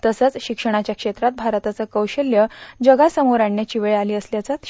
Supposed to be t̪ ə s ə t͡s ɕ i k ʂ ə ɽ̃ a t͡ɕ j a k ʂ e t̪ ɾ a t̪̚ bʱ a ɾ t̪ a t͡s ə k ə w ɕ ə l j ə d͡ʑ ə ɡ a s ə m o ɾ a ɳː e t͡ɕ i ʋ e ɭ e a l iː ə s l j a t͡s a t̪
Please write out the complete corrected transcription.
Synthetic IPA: t̪ ə s ə t͡s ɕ i k ʂ ə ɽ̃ a t͡ɕ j a k ʂ e t̪ ɾ a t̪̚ bʱ a ɾ t̪ a t͡s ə k ə w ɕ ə l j ə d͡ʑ ə ɡ a s ə m o ɾ a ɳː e t͡ɕ i ʋ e ɭ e a l iː ə s l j a t͡s a t̪

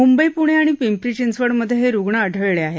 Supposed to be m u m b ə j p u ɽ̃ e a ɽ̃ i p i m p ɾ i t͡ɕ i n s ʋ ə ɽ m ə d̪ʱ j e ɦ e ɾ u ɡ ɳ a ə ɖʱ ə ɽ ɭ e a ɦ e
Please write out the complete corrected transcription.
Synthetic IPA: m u m b ə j p u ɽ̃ e a ɽ̃ i p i m p ɾ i t͡ɕ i n s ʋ ə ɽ m ə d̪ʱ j e ɦ e ɾ u ɡ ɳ a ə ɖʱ ə ɭ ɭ e a ɦ e

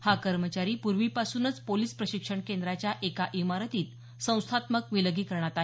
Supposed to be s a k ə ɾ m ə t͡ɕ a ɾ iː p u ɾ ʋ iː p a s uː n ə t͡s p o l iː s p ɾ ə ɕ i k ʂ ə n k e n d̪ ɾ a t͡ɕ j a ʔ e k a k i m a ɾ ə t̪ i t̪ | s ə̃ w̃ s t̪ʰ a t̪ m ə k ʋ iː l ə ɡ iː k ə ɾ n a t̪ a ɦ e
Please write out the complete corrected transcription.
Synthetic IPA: h a k ə ɾ m ə t͡ɕ a ɾ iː p u ɾ ʋ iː p a s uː n ə t͡s p o l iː s p ɾ ə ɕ i k ʂ ə ɳ k e n d̪ ɾ a t͡ɕ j a ʔ e k a ʔ i m a ɾ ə t̪ iː t̪ | s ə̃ w̃ s t̪ʰ a t̪ m ə k ʋ i l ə ɡ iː k ə ɾ ɳ a t̪ a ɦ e

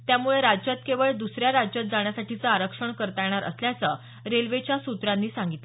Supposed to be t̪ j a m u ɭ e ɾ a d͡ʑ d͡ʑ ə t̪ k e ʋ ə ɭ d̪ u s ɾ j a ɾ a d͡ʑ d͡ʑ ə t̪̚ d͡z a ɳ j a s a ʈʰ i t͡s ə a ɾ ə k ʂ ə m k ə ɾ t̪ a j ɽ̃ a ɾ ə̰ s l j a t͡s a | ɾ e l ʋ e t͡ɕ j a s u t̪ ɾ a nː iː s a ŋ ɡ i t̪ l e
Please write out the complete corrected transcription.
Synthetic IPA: t̪ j a m u ɭ e ɾ a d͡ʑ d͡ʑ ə t̪ k e ʋ ə ɭ d̪ u s ɾ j a ɾ a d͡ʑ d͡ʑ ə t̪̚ d͡z a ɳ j a s a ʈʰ i t͡s ə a ɾ ə k ʂ ə ɳ k ə ɾ t̪ a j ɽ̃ a ɾ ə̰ s l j a t͡s ə | ɾ e l ʋ e t͡ɕ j a s u t̪ ɾ a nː iː s a ŋ ɡ i t̪ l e

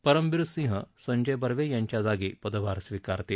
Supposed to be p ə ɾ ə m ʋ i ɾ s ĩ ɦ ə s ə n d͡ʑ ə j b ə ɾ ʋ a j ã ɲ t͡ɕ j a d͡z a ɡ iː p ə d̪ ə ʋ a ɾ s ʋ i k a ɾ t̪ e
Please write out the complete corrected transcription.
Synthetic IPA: p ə ɾ ə m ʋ i ɾ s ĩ ɦ ə s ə ɲ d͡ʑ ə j b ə ɾ ʋ e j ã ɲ t͡ɕ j a d͡z a ɡ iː p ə d̪ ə ʋ a ɾ s ʋ i k a ɾ t̪ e

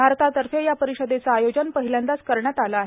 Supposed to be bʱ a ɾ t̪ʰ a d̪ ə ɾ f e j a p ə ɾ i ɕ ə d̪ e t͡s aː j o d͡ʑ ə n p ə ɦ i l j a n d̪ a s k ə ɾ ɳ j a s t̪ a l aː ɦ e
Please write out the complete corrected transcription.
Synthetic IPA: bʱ a ɾ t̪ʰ a t̪ ə ɾ f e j a p ə ɾ i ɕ ə d̪ e t͡s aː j o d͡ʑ ə n p ə ɦ i l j a n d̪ a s k ə ɾ ɳ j a t̪ a l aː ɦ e

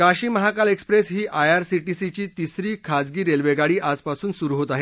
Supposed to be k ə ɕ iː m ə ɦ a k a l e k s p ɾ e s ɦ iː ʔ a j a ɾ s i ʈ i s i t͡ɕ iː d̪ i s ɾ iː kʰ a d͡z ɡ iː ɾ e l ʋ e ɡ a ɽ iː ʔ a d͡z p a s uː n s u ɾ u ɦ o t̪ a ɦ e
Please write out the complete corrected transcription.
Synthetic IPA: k a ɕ iː m ə ɦ a k a l e k s p ɾ e s ɦ iː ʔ a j a ɾ s i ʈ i s i t͡ɕ iː t̪ i s ɾ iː kʰ a d͡z ɡ iː ɾ e l ʋ e ɡ a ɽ iː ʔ a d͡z p a s uː n s u ɾ u ɦ o t̪ a ɦ e

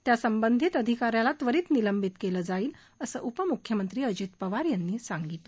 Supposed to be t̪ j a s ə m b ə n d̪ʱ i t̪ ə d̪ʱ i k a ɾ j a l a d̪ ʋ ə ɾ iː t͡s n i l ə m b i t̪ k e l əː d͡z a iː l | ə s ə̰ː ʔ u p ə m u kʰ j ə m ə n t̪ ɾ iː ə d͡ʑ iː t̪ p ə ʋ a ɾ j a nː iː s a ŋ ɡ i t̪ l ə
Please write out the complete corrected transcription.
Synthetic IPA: t̪ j a s ə m b ə n d̪ʱ i t̪ ə d̪ʱ i k a ɾ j a l a t̪ ʋ ə ɾ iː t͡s n i l ə m b i t̪ k e l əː d͡z a iː l | ə s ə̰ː ʔ u p ə m u kʰ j ə m ə n t̪ ɾ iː ə d͡ʑ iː t̪ p ə ʋ a ɾ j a nː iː s a ŋ ɡ i t̪ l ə

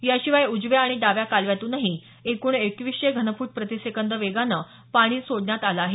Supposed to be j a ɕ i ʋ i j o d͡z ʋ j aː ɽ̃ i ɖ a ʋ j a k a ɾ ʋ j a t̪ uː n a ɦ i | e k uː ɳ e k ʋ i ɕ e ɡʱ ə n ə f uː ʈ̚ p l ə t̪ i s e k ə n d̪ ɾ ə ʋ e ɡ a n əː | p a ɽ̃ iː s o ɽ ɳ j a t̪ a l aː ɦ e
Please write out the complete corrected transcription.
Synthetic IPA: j a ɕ i ʋ a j u d͡z ʋ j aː ɽ̃ i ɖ a ʋ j a k a l ʋ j a t̪ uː n a ɦ i | e k uː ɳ e k ʋ i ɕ e ɡʱ ə n ə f uː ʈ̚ p ɾ ə t̪ i s e k ə n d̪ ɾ ə ʋ e ɡ a n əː | p a ɽ̃ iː s o ɽ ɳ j a t̪ a l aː ɦ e

